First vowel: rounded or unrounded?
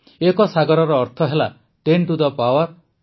unrounded